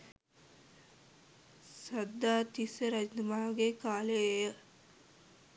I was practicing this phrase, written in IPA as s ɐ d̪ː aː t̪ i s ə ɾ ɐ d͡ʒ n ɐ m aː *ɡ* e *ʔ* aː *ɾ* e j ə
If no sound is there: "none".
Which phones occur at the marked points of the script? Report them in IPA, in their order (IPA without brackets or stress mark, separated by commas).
ɡ, k, l